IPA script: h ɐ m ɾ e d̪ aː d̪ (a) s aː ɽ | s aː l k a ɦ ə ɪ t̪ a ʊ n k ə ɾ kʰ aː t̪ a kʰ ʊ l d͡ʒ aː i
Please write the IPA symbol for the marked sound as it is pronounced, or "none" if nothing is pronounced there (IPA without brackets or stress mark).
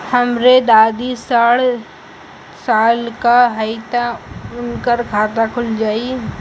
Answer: i